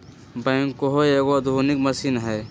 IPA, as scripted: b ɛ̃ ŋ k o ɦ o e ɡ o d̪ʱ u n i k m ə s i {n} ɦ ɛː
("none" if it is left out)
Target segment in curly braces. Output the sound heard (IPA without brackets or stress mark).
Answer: n